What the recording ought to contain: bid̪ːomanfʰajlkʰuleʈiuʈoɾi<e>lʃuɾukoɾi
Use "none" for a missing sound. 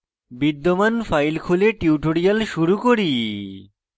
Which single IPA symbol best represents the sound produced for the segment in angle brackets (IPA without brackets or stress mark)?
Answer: a